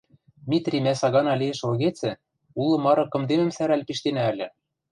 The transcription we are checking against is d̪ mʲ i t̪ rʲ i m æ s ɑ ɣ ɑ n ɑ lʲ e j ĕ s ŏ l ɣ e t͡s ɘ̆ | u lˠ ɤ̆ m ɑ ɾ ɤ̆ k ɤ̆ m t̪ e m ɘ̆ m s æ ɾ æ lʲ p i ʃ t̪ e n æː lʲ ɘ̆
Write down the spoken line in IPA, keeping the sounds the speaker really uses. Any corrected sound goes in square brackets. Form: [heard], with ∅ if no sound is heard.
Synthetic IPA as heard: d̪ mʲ i t̪ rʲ i m æ s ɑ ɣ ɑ n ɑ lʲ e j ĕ [ʃ] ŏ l ɣ e t͡s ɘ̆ | u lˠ ɤ̆ m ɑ ɾ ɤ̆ k ɤ̆ m [d̪] e m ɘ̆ m s æ ɾ æ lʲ p i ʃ t̪ e n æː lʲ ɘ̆